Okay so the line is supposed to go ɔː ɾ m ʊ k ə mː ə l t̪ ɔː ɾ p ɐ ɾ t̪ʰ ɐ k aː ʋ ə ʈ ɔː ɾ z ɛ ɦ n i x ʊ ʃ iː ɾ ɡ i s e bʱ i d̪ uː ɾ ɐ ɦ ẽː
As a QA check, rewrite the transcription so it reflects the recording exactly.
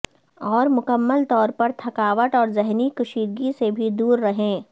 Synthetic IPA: ɔː ɾ m ʊ k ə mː ə l t̪ ɔː ɾ p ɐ ɾ t̪ʰ ɐ k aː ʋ ə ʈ ɔː ɾ z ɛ ɦ n i k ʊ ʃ iː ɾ ɡ i s e bʱ i d̪ uː ɾː ɐ ɦ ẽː